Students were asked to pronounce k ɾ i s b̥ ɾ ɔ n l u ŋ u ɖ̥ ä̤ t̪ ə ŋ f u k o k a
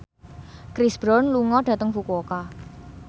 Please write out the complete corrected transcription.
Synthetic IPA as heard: k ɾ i s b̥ ɾ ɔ n l u ŋ ɔ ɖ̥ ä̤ t̪ ə ŋ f u k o k a